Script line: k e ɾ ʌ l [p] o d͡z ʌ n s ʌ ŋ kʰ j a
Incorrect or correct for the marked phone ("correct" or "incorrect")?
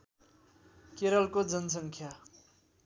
incorrect